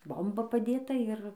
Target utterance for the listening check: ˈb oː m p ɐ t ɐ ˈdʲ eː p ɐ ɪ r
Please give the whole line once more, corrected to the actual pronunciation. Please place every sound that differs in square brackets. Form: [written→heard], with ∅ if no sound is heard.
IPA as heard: ˈb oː m [p→b] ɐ [t→p] ɐ ˈdʲ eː [p→t] ɐ ɪ r